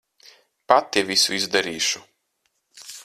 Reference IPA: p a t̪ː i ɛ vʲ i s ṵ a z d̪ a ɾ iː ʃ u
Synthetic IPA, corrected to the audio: p a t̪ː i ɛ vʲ i s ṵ i z d̪ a ɾ iː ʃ u